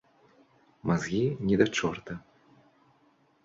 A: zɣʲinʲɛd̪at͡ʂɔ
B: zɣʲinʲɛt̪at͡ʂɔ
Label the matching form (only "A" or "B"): A